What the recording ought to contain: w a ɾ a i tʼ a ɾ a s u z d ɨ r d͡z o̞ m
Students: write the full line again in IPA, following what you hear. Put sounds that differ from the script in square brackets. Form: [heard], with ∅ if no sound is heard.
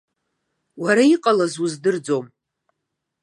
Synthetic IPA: w a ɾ a i [qʼ] a [l] a [z] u z d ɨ r d͡z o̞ m